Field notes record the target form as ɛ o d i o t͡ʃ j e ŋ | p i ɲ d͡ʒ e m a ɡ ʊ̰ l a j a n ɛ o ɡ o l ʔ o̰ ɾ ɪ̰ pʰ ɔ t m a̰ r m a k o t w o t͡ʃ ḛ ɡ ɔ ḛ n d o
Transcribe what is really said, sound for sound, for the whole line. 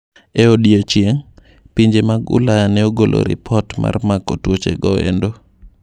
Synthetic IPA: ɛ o d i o t͡ʃ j e ŋ | p i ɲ d͡ʒ e m a ɡ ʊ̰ l a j a n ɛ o ɡ o l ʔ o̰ ɾ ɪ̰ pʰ ɔ t m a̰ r m a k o t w o t͡ʃ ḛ ɡ ɔ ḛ n d o